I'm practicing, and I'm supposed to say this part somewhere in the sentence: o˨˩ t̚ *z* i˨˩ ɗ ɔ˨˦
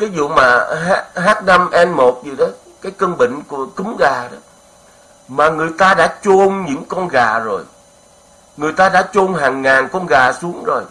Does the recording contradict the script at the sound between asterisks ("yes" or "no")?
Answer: no